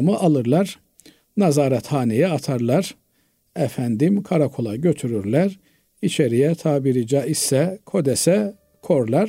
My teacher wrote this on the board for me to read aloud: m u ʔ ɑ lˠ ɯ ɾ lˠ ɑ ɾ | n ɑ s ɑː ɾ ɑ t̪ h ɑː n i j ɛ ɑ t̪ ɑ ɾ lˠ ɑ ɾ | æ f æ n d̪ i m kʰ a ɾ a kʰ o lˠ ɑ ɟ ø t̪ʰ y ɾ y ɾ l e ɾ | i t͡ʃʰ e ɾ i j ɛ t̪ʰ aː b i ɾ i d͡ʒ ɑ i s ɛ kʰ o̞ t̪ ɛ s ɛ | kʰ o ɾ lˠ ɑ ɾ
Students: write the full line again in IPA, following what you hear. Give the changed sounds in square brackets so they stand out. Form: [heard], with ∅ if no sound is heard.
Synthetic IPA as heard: m [ɯ] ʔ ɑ lˠ ɯ ɾ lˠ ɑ ɾ | n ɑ [z] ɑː ɾ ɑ t̪ h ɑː n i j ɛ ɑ [t̪ʰ] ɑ ɾ lˠ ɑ ɾ | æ f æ n d̪ i m kʰ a ɾ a kʰ o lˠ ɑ ɟ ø t̪ʰ y ɾ y ɾ l [æ] ɾ | i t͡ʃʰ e ɾ i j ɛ t̪ʰ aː b i ɾ i d͡ʒ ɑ i s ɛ kʰ o̞ [d̪] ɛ s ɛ | kʰ o ɾ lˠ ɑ ɾ